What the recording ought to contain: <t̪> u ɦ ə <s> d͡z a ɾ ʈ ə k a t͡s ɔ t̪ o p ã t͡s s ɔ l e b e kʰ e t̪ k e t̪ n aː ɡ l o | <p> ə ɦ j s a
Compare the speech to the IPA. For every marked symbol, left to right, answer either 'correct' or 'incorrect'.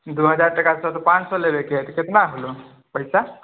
incorrect, incorrect, correct

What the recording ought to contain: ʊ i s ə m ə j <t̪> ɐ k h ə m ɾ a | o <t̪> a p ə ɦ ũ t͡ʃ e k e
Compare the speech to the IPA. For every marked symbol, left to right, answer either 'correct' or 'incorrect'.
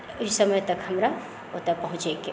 correct, correct

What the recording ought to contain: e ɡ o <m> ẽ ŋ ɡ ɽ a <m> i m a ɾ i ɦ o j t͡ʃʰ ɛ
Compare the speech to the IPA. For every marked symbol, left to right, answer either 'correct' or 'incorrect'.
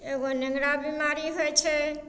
incorrect, incorrect

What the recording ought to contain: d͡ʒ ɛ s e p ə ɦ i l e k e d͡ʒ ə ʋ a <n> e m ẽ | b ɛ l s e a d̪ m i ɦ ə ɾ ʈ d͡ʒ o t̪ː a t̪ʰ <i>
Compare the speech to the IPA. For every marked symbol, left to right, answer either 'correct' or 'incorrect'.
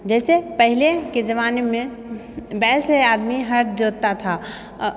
correct, incorrect

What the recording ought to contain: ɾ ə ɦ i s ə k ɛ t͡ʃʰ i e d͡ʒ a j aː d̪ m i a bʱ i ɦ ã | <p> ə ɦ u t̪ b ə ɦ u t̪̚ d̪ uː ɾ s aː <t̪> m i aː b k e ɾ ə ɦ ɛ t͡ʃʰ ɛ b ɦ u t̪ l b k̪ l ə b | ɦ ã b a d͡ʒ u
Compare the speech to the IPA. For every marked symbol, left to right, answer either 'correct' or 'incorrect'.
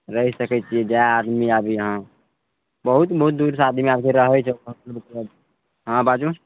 incorrect, incorrect

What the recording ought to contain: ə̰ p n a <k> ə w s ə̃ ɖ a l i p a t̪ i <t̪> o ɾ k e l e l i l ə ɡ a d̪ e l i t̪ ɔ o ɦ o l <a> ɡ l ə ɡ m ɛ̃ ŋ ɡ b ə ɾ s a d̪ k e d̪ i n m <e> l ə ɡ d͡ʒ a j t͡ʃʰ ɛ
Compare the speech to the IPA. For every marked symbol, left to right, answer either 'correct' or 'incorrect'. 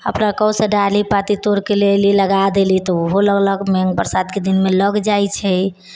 correct, correct, incorrect, correct

